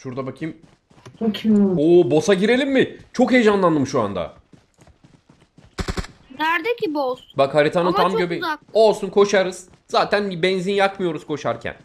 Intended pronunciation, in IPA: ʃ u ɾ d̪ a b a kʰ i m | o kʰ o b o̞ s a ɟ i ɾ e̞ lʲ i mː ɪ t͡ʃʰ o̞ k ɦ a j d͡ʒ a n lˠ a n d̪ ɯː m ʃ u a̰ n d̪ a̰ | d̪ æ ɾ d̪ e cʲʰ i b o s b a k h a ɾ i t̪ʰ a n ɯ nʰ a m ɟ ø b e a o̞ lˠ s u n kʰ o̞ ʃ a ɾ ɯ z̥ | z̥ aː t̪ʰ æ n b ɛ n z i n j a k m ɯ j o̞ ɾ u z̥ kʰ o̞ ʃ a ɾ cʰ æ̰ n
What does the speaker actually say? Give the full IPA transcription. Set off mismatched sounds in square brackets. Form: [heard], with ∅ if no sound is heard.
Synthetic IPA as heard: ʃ u ɾ d̪ a b a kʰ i m | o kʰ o b o̞ s a ɟ i ɾ e̞ lʲ i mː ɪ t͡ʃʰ o̞ k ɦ [e] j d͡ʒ a n lˠ a n d̪ [ɯ] m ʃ u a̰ n d̪ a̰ | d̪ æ ɾ d̪ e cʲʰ i b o s b a k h a ɾ i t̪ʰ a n ɯ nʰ a m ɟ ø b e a o̞ lˠ s u n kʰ o̞ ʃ a ɾ ɯ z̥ | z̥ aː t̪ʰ æ n b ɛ n z i n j a k m ɯ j o̞ ɾ u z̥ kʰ o̞ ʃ a ɾ cʰ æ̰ n